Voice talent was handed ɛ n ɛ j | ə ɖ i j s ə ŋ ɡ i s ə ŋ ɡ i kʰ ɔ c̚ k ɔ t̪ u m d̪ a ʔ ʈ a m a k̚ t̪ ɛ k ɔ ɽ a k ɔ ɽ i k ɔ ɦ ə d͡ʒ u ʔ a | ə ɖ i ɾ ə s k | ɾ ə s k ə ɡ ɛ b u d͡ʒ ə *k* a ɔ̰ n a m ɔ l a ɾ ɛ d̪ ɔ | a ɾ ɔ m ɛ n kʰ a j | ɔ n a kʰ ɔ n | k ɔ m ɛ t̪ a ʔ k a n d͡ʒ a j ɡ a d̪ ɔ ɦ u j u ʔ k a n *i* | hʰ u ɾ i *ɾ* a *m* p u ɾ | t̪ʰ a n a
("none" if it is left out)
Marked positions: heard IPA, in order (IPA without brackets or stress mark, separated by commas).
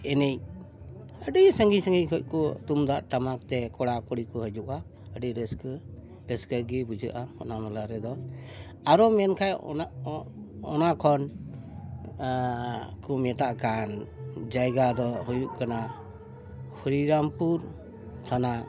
ʔ, a, ɾ, m